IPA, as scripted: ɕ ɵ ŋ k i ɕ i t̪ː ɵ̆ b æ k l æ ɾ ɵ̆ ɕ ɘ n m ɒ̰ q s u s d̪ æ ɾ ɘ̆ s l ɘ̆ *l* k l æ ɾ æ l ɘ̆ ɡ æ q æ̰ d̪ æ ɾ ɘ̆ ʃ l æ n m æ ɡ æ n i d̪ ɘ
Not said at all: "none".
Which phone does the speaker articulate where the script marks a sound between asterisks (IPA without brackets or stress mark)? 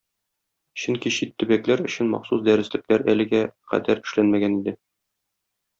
none